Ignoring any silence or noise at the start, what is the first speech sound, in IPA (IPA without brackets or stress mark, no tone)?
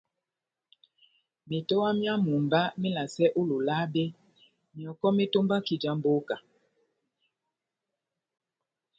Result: m